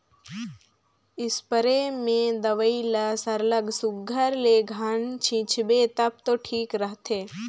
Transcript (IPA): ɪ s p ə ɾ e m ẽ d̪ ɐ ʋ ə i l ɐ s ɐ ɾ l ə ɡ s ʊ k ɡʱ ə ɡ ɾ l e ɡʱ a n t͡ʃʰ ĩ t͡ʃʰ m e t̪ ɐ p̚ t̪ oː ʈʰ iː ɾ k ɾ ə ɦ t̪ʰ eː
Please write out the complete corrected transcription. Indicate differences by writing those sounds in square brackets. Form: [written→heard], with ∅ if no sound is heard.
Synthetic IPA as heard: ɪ s p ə ɾ e m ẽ d̪ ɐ ʋ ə i l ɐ s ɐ ɾ l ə ɡ s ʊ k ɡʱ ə [ɡ→∅] ɾ l e ɡʱ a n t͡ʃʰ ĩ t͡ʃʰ [m→b] e t̪ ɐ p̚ t̪ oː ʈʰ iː [ɾ→∅] k ɾ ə ɦ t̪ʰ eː